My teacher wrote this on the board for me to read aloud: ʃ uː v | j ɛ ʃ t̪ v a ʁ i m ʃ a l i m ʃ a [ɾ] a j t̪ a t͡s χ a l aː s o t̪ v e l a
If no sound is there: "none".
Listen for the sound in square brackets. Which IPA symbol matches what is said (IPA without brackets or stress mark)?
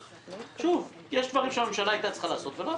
l